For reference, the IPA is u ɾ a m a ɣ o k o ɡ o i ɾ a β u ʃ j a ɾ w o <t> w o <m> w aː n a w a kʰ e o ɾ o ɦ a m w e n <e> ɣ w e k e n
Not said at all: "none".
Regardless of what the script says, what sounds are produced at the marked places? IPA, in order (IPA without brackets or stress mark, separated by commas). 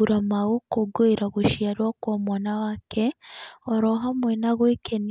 k, m, a